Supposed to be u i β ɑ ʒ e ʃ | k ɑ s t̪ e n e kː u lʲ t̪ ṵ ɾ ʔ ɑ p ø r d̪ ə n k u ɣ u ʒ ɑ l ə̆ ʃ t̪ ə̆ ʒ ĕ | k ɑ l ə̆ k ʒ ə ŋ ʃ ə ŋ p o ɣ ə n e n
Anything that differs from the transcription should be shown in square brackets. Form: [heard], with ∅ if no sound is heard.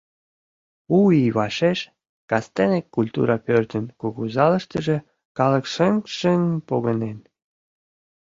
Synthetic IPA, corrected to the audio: u i β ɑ [ʃ] e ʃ | k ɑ s t̪ e n e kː u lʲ t̪ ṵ ɾ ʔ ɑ p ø r [t̪] ə n k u ɣ u [z] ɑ l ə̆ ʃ t̪ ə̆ ʒ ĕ | k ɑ l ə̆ k [ʃ] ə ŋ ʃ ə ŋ p o ɣ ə n e n

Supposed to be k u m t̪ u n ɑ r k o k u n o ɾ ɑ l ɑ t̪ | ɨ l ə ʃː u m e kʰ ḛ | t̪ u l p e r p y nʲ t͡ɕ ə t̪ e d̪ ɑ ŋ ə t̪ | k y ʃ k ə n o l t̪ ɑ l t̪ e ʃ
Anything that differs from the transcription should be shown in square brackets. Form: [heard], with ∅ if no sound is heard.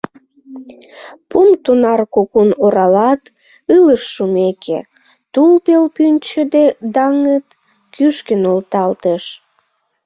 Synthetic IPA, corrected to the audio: [p] u m t̪ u n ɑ r k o k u n o ɾ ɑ l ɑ t̪ | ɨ l ə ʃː u m e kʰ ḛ | t̪ u l p e [l] p y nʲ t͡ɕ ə [d̪] e d̪ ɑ ŋ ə t̪ | k y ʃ k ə n o l t̪ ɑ l t̪ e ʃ

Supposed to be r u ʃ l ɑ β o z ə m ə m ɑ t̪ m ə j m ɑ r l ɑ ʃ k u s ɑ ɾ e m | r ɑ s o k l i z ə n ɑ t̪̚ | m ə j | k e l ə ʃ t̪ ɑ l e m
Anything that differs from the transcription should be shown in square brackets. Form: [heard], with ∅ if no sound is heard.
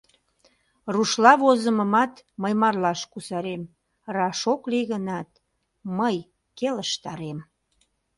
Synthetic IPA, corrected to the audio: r u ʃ l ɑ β o z ə m ə m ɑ t̪ m ə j m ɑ r l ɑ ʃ k u s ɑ ɾ e m | r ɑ [ʃ] o k l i [ɣ] ə n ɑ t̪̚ | m ə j | k e l ə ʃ t̪ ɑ [ɾ] e m

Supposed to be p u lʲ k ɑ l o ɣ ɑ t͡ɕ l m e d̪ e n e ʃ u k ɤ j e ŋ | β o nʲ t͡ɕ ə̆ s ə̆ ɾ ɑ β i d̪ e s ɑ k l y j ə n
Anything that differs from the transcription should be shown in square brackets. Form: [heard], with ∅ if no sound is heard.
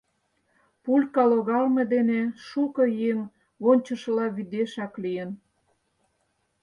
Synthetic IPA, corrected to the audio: p u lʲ k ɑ l o ɣ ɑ [∅] l m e d̪ e n e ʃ u k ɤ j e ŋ | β o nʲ t͡ɕ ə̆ [ʃ] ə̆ [l] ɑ β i d̪ e [ʃ] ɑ k l [i] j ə n

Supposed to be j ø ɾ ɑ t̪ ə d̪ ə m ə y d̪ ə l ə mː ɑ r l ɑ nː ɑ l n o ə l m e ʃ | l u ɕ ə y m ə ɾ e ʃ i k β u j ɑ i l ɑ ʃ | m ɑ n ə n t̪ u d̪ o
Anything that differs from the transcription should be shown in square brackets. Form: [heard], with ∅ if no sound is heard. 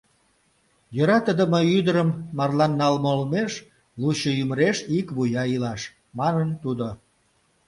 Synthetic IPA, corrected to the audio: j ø ɾ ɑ t̪ ə d̪ ə m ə y d̪ ə [ɾ] ə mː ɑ r l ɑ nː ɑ l [m] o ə l m e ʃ | l u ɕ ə y m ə ɾ e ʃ i k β u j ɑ i l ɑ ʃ | m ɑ n ə n t̪ u d̪ o

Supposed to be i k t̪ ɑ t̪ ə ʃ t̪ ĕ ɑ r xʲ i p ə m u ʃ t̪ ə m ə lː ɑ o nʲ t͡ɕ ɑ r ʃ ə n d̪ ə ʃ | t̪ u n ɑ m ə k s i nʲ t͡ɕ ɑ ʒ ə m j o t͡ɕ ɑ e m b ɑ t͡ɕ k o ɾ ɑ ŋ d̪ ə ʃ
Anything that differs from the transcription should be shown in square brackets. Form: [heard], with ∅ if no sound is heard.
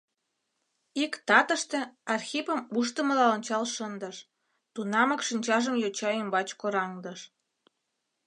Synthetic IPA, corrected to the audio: i k t̪ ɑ t̪ ə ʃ t̪ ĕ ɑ r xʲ i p ə m u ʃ t̪ ə m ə [l] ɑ o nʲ t͡ɕ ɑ [l] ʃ ə n d̪ ə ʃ | t̪ u n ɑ m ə k [ʃ] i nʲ t͡ɕ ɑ ʒ ə m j o t͡ɕ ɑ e m b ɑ t͡ɕ k o ɾ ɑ ŋ d̪ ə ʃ

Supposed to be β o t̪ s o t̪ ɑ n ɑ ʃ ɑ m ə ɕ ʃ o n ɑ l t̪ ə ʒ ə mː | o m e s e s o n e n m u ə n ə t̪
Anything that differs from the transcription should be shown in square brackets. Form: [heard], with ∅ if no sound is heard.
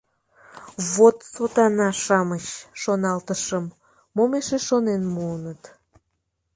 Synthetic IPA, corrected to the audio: β o t̪ s o t̪ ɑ n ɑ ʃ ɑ m ə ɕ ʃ o n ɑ l t̪ ə [ʃ] ə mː | o m e [ʃ] e [ʃ] o n e n m u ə n ə t̪

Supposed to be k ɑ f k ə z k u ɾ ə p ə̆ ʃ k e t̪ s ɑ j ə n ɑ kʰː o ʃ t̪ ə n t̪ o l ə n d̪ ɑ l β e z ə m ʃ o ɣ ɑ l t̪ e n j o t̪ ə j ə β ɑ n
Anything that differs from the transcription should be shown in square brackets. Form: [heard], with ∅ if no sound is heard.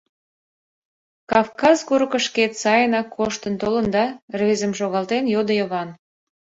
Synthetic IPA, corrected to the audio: k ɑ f k [ɑ] z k u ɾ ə [k] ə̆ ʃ k e t̪ s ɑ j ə n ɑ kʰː o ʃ t̪ ə n t̪ o l ə n d̪ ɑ [r] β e z ə m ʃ o ɣ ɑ l t̪ e n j o [d̪] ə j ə β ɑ n

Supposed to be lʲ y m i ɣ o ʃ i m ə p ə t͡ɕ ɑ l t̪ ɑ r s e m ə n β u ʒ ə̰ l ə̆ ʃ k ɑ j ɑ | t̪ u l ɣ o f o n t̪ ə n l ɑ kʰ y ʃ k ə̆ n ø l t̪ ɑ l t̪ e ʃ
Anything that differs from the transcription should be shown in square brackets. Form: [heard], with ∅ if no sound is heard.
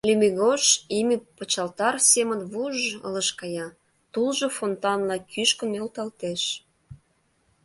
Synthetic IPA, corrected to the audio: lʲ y m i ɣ o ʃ i m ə p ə t͡ɕ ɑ l t̪ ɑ r s e m ə n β u ʒ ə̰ l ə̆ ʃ k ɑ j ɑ | t̪ u l [ʒ] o f o n t̪ [ɑ] n l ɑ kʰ y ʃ k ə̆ n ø l t̪ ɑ l t̪ e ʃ

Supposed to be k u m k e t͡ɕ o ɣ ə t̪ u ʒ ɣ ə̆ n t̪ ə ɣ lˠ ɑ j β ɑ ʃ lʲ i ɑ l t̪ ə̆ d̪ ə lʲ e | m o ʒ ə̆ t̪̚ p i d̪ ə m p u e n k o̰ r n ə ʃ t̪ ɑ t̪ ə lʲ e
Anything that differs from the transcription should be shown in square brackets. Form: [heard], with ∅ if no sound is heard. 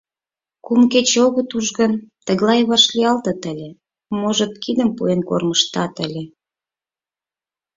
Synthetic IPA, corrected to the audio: k u m k e t͡ɕ o ɣ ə t̪ u ʒ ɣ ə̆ n t̪ ə ɣ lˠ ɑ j β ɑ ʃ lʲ i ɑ l t̪ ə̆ [t̪] ə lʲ e | m o ʒ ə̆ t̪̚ [k] i d̪ ə m p u e n k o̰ r [m] ə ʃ t̪ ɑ t̪ ə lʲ e

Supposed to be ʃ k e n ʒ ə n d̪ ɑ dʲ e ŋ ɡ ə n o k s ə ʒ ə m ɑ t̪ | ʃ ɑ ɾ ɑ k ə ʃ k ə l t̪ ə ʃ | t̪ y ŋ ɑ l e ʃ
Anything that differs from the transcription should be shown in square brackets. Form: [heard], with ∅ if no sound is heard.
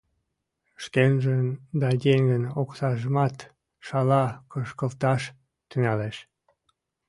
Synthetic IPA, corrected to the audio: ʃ k e n ʒ ə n d̪ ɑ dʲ e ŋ ɡ ə n o k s [ɑ] ʒ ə m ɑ t̪ | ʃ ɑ [l] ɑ k ə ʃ k ə l t̪ [ɑ] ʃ | t̪ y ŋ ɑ l e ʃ

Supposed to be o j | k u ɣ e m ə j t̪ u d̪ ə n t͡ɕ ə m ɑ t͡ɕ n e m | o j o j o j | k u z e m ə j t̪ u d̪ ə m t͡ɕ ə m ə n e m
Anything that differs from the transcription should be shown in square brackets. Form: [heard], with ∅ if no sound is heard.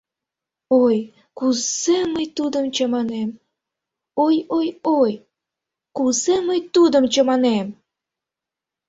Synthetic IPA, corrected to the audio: o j | k u [z] e m ə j t̪ u d̪ ə [m] t͡ɕ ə m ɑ [∅] n e m | o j o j o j | k u z e m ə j t̪ u d̪ ə m t͡ɕ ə m [ɑ] n e m

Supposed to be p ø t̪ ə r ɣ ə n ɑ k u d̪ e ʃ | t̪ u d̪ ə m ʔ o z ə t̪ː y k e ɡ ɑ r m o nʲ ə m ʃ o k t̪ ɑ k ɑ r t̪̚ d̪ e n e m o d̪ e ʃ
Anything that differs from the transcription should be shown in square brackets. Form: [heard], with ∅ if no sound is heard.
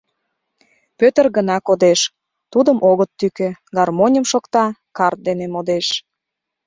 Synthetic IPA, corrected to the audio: p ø t̪ ə r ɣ ə n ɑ k [o] d̪ e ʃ | t̪ u d̪ ə m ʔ o [ɣ] ə t̪ː y k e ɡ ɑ r m o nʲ ə m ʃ o k t̪ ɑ k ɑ r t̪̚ d̪ e n e m o d̪ e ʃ

